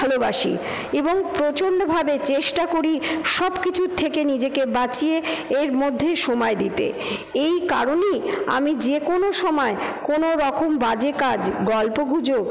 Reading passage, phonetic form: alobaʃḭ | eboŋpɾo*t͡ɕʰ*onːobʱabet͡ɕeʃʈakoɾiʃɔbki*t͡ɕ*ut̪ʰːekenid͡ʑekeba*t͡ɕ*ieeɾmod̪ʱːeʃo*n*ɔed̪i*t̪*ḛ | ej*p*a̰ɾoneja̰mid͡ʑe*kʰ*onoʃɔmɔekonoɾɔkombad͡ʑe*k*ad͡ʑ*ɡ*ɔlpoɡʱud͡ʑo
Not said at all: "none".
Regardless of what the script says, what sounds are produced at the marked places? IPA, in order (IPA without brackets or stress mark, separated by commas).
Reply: t͡ɕ, t͡ɕʰ, t͡ɕ, m, t̪, k, k, k, ɡ